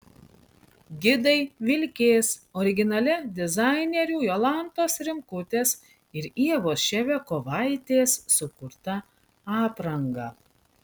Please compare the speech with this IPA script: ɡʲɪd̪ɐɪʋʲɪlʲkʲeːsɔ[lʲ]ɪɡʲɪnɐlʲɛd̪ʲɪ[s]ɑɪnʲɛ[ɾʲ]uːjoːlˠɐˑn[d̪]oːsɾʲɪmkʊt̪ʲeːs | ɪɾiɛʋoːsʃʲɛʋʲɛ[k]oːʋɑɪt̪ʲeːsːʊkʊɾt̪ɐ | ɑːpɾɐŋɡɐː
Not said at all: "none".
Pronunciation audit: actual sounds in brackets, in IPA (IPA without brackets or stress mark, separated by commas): ɾʲ, z, ɾʲ, t̪, k